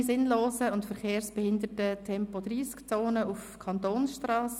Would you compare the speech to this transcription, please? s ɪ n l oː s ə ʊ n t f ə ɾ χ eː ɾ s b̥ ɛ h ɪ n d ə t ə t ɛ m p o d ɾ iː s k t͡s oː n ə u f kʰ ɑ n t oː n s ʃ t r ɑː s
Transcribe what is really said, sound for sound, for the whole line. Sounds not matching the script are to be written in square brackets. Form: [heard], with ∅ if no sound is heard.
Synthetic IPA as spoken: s ɪ n l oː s ə ʊ n t f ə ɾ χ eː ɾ s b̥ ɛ h ɪ n d ə t ə [tʰ] ɛ m p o d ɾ iː s k t͡s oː n ə u f kʰ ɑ n t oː n s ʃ t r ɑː s